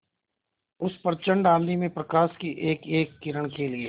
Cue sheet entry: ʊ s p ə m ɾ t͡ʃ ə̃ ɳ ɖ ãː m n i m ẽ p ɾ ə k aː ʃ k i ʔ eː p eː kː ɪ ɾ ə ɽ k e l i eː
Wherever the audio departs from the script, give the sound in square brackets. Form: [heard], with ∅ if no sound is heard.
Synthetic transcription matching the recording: ʊ s p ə [∅] ɾ t͡ʃ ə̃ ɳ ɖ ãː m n i m ẽ p ɾ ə k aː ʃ k i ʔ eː [k] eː kː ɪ ɾ ə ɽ k e l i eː